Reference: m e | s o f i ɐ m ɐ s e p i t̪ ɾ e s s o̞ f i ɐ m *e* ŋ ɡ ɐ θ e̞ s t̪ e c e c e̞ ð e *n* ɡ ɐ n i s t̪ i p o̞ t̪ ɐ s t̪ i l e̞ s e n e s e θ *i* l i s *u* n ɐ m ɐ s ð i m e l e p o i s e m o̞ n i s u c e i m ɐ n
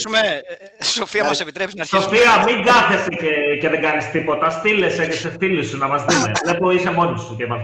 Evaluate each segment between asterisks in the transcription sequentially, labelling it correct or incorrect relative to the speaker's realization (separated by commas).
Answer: incorrect, incorrect, correct, correct